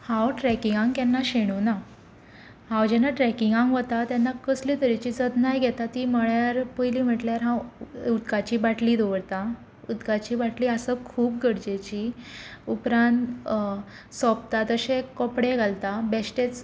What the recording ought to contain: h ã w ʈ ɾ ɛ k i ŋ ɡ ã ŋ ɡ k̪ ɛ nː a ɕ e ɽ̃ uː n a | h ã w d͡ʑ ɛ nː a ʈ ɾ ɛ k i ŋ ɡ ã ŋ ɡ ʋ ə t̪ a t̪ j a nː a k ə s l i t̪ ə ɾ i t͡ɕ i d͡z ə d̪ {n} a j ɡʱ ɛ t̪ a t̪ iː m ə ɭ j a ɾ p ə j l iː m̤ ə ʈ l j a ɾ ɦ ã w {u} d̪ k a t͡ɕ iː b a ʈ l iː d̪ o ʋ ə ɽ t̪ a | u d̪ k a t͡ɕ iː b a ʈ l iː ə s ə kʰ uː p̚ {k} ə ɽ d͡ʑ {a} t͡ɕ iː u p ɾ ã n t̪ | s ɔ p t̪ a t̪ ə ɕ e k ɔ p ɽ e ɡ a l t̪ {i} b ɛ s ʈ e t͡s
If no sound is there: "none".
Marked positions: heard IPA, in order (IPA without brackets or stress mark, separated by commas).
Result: n, u, ɡ, e, a